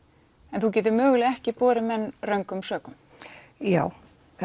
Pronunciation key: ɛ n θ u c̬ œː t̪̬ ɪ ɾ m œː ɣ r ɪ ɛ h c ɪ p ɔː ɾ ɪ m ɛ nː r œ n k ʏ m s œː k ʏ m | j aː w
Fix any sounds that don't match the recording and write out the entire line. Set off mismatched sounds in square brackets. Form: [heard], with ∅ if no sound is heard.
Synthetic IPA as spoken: ɛ n θ u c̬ [ɛː] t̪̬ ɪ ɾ m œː ɣ [l] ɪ ɛ h c ɪ p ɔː ɾ ɪ m ɛ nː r œ [ŋ] k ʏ m s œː k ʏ m | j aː w